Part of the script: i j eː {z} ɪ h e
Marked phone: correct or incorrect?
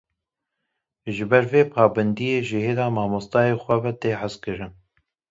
incorrect